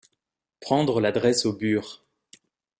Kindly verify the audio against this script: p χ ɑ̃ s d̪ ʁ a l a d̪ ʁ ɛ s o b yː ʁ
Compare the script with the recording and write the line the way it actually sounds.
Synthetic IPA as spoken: p χ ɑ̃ d̪ ʁ ə l a d̪ ʁ ɛ s o b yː ʁ